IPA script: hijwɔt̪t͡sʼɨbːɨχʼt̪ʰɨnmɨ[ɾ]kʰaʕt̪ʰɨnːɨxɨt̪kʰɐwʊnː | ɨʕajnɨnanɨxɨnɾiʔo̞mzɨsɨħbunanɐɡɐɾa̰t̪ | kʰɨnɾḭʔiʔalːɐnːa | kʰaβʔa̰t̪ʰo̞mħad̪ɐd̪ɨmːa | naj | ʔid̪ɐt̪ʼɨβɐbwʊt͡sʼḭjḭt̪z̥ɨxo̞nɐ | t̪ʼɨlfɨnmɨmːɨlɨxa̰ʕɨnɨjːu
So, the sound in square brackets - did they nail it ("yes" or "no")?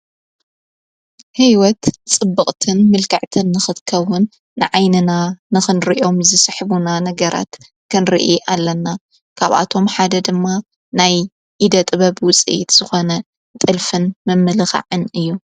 no